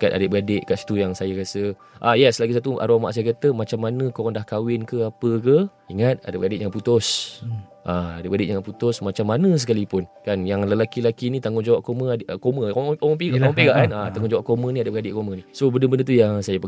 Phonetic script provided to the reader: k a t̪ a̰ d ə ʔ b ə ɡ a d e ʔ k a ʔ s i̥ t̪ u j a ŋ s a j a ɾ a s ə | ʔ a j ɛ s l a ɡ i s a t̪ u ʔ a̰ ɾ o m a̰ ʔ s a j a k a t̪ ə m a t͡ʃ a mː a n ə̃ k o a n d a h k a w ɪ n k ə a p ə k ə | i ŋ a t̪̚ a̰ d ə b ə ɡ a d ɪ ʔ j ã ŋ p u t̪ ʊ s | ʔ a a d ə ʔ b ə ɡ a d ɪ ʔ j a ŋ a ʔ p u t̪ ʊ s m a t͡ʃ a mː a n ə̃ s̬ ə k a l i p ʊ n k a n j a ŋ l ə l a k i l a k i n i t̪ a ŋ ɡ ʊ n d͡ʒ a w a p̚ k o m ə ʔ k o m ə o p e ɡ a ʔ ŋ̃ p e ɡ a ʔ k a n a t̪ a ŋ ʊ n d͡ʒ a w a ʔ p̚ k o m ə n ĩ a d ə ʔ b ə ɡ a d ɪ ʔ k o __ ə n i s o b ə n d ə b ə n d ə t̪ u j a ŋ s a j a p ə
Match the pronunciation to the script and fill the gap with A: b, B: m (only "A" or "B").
B